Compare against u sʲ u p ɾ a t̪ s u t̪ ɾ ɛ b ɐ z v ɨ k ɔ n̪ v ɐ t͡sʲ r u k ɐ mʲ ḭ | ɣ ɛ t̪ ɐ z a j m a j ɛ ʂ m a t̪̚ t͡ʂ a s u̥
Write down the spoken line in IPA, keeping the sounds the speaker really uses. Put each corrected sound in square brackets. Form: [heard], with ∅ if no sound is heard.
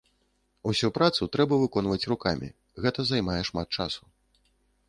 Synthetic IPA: u sʲ u p ɾ a t̪ s u t̪ ɾ ɛ b ɐ [∅] v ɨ k ɔ n̪ v ɐ t͡sʲ r u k [a] mʲ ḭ | ɣ ɛ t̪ ɐ z a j m a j ɛ ʂ m a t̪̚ t͡ʂ a s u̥